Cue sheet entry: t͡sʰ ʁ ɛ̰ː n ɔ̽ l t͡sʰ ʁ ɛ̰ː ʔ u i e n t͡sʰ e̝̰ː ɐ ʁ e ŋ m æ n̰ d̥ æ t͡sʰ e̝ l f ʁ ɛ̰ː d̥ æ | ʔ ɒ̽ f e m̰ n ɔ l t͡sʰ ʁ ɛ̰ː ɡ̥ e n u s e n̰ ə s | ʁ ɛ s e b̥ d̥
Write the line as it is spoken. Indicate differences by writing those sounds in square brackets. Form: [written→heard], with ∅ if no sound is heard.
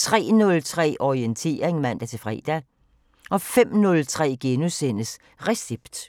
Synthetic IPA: t͡sʰ ʁ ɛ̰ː n ɔ̽ l t͡sʰ ʁ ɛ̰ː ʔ [u→ɒ] i e n t͡sʰ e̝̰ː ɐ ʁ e ŋ m æ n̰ d̥ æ t͡sʰ e̝ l f ʁ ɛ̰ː d̥ æ | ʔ ɒ̽ f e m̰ n ɔ l t͡sʰ ʁ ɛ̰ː ɡ̥ e n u s e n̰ ə s | ʁ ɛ s e b̥ d̥